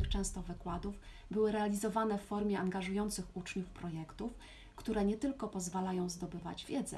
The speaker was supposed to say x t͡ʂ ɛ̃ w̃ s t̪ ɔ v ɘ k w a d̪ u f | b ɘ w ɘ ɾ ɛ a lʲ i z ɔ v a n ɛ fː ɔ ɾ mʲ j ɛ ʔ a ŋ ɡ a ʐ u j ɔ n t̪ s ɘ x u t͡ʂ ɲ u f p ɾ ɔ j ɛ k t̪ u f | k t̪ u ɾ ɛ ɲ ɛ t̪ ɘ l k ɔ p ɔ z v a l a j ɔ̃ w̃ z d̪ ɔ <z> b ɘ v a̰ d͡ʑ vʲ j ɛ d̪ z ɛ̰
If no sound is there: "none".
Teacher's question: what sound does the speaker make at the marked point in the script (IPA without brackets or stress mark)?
none